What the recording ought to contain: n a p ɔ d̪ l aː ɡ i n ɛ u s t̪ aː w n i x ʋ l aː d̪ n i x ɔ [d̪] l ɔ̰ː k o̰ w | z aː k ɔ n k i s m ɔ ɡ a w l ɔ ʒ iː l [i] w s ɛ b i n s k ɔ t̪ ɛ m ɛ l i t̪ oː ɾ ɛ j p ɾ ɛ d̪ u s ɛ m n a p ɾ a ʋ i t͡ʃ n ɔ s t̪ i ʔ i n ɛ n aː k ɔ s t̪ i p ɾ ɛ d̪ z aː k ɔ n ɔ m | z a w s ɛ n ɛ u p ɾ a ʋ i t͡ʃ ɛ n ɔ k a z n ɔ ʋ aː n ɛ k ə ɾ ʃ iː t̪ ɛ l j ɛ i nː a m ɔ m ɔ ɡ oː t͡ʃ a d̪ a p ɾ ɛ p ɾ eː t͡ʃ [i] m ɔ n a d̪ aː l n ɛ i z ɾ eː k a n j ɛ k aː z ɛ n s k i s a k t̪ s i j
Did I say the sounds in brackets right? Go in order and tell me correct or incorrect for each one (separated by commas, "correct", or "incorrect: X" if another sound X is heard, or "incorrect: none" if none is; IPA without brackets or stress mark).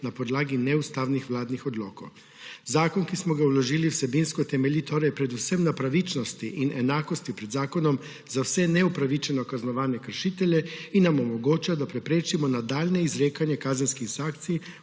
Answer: correct, correct, correct